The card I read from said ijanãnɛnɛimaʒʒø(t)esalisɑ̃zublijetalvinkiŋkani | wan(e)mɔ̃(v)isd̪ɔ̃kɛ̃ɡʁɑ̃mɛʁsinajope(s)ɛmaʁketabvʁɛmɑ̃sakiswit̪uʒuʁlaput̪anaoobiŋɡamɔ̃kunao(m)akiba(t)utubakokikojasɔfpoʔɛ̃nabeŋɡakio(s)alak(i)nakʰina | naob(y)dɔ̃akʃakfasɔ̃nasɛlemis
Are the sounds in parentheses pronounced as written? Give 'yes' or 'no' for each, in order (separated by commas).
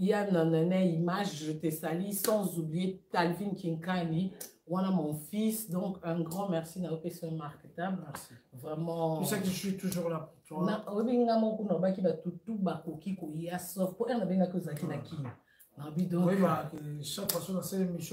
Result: yes, no, no, yes, no, yes, no, yes, no